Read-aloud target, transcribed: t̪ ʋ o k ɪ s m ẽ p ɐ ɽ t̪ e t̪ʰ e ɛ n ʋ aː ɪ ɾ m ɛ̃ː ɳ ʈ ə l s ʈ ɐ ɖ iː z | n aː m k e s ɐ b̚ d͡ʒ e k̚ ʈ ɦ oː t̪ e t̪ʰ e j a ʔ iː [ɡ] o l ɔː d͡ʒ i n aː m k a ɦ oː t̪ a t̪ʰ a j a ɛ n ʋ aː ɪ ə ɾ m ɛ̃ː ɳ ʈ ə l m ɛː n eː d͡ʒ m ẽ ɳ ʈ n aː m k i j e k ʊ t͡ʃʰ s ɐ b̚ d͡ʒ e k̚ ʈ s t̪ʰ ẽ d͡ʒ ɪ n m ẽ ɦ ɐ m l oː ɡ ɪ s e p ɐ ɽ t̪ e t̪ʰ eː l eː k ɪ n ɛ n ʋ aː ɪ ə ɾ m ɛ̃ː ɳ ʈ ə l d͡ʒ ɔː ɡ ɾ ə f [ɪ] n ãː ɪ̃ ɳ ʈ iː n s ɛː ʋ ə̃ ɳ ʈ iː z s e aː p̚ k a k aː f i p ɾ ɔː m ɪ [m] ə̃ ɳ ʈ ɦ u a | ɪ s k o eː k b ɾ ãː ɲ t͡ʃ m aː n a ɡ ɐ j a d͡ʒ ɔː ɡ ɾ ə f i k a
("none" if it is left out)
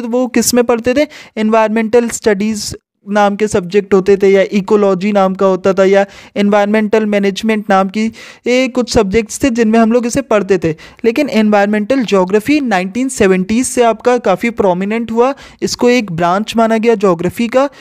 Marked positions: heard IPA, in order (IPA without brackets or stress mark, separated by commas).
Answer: k, i, n